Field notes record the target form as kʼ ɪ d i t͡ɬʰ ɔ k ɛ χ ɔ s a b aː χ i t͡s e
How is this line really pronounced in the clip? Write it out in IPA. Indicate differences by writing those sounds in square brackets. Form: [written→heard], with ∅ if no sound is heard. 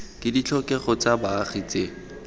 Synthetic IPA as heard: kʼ ɪ d i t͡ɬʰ ɔ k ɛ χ ɔ [s→t͡s] a b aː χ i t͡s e